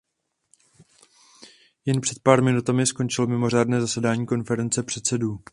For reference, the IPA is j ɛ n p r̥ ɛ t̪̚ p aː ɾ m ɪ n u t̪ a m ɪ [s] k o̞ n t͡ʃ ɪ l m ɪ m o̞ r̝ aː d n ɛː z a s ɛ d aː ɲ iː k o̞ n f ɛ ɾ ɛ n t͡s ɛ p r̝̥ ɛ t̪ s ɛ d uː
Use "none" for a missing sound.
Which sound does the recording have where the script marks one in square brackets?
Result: s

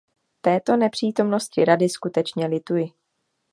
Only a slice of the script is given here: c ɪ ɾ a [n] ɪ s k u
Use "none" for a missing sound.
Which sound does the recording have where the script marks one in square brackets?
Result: d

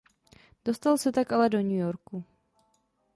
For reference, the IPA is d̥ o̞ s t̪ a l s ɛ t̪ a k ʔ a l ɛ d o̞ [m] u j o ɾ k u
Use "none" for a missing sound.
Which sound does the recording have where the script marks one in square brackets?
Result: ɲ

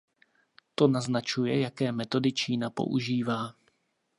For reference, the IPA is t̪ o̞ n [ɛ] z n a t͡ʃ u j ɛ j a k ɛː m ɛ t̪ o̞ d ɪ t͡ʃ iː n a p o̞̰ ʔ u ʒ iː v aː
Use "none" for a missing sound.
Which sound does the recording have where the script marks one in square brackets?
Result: a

